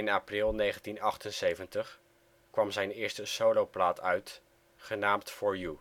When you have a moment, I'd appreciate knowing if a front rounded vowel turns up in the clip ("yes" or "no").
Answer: yes